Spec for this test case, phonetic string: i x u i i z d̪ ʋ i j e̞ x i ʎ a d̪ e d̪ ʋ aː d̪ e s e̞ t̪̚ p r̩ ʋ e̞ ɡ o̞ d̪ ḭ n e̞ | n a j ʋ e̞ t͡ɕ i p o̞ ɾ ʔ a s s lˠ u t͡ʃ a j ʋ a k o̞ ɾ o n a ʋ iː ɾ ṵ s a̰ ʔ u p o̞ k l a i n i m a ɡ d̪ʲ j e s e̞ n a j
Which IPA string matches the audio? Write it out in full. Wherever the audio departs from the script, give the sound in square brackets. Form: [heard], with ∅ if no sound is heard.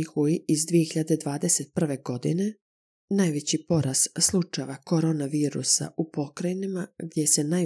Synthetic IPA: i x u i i z d̪ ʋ i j e̞ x i ʎ a d̪ e d̪ ʋ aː d̪ e s e̞ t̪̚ p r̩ ʋ e̞ ɡ o̞ d̪ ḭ n e̞ | n a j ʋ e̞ t͡ɕ i p o̞ ɾ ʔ a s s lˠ u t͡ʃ a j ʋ a k o̞ ɾ o n a ʋ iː ɾ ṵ s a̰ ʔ u p o̞ k [ɾ] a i n i m a ɡ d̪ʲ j e s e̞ n a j